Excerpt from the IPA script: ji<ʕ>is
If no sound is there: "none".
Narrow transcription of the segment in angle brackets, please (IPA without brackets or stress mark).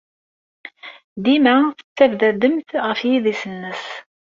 ð